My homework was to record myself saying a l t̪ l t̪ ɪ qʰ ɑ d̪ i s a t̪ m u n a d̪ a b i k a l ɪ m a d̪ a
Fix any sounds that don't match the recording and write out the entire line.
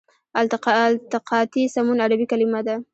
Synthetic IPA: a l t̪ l t̪ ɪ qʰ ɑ t̪ i s a m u n a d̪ a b i k a l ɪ m a d̪ a